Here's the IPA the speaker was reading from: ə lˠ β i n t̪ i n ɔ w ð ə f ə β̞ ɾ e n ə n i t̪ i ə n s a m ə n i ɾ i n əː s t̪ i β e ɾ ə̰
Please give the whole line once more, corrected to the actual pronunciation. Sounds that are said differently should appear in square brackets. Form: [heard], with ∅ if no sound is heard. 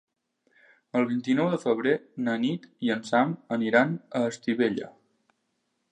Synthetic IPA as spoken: ə lˠ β i n t̪ i n ɔ w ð ə f ə β̞ ɾ e n ə n i t̪ i ə n s a m ə n i ɾ [a] n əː s t̪ i β e [ʎ] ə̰